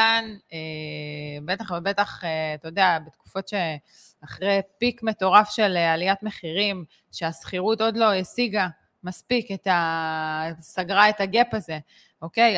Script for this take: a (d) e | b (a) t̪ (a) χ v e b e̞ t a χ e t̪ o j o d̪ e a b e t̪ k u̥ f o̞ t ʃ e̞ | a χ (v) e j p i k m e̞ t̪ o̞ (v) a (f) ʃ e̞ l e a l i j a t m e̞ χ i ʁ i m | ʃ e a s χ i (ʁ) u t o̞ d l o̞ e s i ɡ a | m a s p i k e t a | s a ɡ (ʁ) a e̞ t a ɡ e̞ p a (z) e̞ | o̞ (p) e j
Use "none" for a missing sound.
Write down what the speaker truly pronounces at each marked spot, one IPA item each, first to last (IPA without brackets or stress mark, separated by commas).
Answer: n, e, a, ʁ, ʁ, f, ʁ, ʁ, z, k